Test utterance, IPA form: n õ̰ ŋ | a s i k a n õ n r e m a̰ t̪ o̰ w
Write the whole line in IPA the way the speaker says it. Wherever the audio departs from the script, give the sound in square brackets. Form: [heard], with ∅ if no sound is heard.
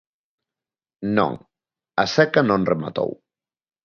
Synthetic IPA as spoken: n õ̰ ŋ | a s [ɛ] k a n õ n r e m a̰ t̪ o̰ w